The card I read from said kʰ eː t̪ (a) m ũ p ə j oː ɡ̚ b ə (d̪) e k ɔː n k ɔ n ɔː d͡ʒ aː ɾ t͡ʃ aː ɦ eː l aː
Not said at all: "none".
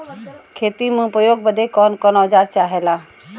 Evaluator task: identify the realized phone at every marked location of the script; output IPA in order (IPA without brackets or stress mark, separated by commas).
i, d̪